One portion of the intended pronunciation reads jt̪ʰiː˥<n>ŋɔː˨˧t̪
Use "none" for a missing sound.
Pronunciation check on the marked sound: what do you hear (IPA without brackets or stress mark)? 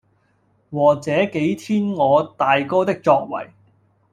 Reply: n